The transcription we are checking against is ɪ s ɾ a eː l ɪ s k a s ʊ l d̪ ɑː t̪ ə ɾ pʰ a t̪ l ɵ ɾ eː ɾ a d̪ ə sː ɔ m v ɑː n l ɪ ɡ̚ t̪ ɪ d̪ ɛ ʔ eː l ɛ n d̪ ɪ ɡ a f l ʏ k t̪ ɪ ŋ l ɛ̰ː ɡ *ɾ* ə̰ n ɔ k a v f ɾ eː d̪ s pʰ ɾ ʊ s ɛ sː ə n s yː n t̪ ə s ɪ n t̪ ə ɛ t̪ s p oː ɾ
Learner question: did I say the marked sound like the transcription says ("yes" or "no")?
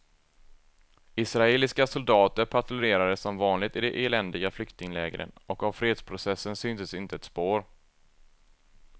yes